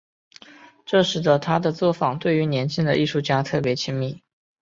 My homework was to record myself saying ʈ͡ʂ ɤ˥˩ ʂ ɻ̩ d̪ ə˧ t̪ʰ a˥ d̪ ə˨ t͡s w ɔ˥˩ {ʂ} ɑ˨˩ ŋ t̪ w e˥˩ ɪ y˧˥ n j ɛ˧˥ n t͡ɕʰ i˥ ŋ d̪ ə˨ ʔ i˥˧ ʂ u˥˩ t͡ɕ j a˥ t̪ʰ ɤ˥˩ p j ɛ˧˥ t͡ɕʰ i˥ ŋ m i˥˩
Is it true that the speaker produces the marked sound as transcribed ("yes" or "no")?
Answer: no